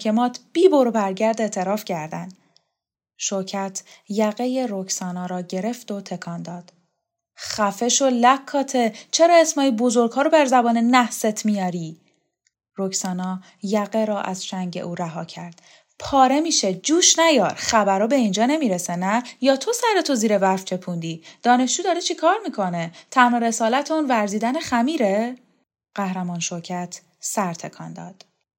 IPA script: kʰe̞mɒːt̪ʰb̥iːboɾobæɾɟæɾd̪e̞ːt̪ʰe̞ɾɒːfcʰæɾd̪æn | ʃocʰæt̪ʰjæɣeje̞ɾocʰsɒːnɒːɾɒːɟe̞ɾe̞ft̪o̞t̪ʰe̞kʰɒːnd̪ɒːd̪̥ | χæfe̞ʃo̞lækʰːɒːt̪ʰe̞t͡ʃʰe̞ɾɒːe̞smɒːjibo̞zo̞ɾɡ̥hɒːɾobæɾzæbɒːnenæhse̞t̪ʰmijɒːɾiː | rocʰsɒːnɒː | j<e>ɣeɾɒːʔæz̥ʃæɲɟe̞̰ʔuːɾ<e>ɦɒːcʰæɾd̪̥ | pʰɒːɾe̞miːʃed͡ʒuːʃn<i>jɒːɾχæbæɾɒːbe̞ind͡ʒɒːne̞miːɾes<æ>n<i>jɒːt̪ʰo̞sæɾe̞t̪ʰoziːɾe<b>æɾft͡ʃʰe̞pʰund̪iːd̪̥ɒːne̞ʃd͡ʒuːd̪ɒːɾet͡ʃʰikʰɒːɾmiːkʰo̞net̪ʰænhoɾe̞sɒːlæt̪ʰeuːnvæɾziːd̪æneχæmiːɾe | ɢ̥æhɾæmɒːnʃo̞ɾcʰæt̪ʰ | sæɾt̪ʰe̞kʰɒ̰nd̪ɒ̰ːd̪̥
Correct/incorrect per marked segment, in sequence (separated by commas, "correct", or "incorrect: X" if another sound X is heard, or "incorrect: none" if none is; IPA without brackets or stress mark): incorrect: æ, incorrect: æ, incorrect: æ, incorrect: e, incorrect: æ, incorrect: v